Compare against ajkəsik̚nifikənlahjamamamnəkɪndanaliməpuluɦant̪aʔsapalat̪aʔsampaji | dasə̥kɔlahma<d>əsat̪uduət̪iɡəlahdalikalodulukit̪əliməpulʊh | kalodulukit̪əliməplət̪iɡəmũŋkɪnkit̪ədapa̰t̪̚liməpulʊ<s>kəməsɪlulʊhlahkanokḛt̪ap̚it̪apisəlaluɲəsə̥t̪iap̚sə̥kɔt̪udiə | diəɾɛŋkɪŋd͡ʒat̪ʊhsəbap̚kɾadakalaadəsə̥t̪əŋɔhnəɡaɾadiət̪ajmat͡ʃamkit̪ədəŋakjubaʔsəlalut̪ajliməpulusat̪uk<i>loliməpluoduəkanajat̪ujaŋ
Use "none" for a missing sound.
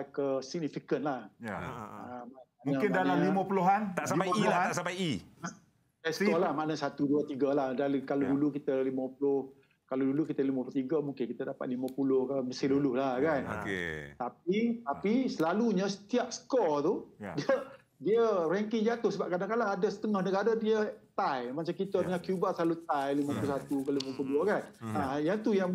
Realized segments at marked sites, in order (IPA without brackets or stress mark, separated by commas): n, h, a